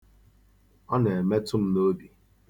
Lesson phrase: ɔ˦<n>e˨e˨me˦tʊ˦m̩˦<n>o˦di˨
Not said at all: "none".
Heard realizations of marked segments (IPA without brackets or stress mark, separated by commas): n, n